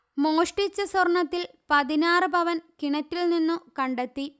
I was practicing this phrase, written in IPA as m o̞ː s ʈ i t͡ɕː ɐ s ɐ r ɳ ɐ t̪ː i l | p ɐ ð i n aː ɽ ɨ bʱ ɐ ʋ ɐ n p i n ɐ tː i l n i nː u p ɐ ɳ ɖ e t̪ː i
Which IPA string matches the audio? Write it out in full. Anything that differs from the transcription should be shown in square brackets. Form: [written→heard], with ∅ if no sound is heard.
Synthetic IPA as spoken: m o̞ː [s→ʂ] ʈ i t͡ɕː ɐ s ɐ r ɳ ɐ t̪ː i l | p ɐ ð i n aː [ɽ→r] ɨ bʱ ɐ ʋ ɐ n [p→k] i [n→ɳ] ɐ tː i l n i nː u [p→k] ɐ ɳ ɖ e t̪ː i

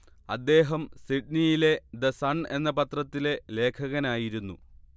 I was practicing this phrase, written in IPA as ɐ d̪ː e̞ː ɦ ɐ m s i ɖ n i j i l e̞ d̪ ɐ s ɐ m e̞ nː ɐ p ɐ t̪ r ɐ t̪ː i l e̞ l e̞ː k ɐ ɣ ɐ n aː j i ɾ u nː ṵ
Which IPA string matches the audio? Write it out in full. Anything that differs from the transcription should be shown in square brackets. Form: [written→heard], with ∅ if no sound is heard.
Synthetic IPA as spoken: ɐ d̪ː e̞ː ɦ ɐ m s i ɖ n i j i l e̞ d̪ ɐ s ɐ [m→ɳ] e̞ nː ɐ p ɐ t̪ r ɐ t̪ː i l e̞ l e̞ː [k→kʰ] ɐ ɣ ɐ n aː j i ɾ u nː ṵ

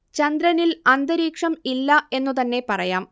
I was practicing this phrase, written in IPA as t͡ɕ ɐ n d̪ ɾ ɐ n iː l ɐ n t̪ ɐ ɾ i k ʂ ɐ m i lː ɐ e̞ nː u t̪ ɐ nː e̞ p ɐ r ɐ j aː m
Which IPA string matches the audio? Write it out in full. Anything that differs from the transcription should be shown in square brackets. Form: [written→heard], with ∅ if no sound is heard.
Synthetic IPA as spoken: t͡ɕ ɐ n d̪ ɾ ɐ n [iː→i] l ɐ n [t̪→d̪] ɐ ɾ [i→iː] k ʂ ɐ m i lː ɐ e̞ nː u t̪ ɐ nː e̞ p ɐ r ɐ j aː m

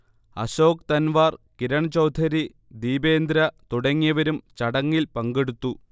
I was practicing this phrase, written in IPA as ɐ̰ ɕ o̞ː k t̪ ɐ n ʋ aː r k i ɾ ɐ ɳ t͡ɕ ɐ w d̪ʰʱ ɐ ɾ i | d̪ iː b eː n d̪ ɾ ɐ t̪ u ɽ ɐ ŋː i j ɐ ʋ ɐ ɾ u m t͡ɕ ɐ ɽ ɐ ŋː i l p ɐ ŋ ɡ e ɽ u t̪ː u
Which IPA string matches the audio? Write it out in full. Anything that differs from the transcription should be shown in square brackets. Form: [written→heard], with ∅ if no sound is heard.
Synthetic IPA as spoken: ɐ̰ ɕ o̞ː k t̪ ɐ n ʋ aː r k i ɾ ɐ ɳ t͡ɕ ɐ w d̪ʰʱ ɐ ɾ i | d̪ iː b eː n d̪ ɾ ɐ t̪ u ɽ ɐ ŋː i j ɐ ʋ ɐ ɾ u m t͡ɕ ɐ ɽ ɐ ŋː i l p ɐ ŋ ɡ e ɽ u t̪ː u

